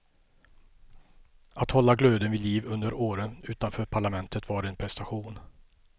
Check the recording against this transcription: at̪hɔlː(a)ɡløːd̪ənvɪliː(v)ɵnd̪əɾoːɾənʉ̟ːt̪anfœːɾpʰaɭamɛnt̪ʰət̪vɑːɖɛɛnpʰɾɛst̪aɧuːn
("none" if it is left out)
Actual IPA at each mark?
a, v

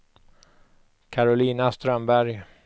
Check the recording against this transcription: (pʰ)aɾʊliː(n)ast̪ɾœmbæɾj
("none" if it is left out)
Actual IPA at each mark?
kʰ, n

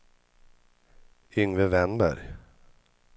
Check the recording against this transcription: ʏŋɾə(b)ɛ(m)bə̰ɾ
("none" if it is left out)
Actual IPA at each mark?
v, n

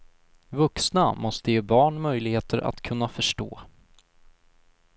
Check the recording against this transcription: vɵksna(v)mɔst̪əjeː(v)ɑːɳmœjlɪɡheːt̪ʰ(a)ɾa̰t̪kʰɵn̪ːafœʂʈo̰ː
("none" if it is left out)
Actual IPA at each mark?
none, b, ə

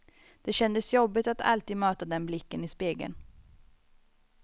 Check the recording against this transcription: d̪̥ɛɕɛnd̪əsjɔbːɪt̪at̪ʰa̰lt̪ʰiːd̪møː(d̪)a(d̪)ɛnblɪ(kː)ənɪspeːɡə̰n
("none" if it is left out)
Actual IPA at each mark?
t̪, d̪, kː

